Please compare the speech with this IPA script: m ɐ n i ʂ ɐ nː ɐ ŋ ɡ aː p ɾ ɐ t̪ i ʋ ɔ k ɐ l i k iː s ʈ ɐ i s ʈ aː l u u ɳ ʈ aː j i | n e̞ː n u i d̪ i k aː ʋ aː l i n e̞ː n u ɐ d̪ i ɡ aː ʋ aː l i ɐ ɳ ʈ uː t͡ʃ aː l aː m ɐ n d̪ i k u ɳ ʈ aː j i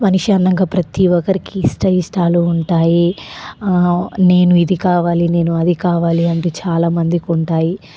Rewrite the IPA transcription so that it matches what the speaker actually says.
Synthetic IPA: m ɐ n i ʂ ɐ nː ɐ ŋ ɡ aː p ɾ ɐ t̪ i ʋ ɔ k ɐ ɾ i k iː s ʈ ɐ i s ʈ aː l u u ɳ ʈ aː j i | n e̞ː n u i d̪ i k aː ʋ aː l i n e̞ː n u ɐ d̪ i k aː ʋ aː l i ɐ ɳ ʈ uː t͡ʃ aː l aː m ɐ n d̪ i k u ɳ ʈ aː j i